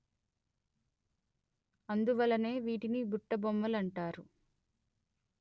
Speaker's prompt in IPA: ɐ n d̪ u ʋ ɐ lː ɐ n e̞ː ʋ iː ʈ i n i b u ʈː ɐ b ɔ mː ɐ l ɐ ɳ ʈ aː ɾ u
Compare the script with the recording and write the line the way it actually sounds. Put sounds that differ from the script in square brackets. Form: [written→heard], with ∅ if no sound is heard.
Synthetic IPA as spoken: ɐ n d̪ u ʋ ɐ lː ɐ n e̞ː ʋ iː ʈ i n i b u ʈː ɐ b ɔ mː ɐ l ɐ ɳ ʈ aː ɾ u